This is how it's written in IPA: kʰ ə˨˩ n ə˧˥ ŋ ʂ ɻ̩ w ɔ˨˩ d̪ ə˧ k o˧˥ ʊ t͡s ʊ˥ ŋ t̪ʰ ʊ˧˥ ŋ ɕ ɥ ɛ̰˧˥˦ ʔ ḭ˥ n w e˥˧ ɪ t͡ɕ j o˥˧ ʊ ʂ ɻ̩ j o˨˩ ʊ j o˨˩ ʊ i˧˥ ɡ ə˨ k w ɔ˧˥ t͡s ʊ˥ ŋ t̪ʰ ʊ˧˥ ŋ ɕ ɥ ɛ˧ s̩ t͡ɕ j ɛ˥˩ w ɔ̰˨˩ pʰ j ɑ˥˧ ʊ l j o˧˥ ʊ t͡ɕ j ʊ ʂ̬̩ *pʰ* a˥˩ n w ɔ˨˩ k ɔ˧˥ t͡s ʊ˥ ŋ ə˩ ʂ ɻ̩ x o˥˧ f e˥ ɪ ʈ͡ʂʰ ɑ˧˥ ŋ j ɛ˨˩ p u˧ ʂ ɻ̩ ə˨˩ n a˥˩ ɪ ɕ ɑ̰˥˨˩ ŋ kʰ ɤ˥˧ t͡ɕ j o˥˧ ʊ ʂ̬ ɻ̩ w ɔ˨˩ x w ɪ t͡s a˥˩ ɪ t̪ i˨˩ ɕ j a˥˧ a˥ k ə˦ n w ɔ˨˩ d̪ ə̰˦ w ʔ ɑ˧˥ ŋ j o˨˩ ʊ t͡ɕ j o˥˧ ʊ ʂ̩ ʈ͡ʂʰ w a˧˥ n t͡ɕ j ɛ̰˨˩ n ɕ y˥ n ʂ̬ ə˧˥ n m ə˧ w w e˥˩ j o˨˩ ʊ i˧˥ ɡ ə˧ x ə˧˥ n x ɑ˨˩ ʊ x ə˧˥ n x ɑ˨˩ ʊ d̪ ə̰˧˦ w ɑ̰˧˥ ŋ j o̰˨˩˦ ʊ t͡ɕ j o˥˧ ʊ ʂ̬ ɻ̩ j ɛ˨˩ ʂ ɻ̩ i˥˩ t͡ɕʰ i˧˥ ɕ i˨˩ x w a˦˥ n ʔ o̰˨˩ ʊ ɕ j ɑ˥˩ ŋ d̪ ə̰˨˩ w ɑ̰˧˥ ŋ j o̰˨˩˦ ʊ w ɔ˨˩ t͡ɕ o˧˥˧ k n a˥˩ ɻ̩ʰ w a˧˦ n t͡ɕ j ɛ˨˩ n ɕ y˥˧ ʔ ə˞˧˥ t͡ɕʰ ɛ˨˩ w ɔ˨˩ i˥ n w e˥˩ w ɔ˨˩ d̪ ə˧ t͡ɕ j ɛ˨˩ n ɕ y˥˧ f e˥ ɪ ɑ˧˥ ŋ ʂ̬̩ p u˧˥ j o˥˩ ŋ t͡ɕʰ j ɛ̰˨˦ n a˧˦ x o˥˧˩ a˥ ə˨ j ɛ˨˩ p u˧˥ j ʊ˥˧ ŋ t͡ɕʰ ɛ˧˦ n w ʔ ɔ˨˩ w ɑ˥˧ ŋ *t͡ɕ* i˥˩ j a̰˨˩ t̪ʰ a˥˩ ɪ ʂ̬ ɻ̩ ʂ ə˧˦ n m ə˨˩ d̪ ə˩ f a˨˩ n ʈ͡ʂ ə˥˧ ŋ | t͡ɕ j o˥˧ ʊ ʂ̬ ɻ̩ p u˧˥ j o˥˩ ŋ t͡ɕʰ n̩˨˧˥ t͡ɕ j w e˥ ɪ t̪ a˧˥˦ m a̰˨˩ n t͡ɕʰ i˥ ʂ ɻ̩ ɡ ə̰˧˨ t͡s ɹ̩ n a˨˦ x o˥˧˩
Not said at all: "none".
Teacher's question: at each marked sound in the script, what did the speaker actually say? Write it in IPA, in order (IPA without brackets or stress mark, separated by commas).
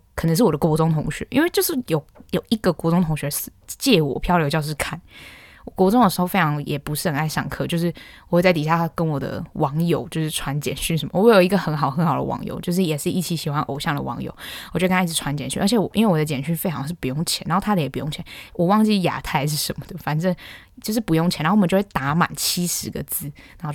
kʰ, t͡ɕ